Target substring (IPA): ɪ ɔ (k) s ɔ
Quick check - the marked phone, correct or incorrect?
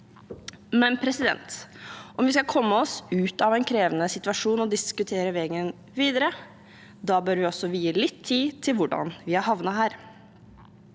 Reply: incorrect